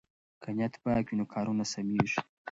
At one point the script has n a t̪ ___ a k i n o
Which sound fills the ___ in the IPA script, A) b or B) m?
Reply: A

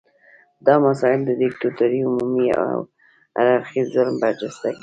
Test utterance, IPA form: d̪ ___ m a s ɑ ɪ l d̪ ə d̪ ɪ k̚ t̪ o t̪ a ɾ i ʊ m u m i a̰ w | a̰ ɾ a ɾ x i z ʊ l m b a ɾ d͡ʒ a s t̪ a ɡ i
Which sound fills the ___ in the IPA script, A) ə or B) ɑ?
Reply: B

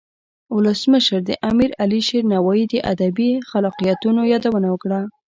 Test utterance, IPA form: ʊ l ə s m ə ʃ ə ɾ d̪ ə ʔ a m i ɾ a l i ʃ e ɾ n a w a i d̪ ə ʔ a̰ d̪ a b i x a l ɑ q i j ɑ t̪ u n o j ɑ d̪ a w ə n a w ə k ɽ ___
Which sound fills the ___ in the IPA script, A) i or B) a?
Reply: B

